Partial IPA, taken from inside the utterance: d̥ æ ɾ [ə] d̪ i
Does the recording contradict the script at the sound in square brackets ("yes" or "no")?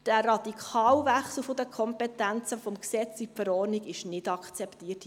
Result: yes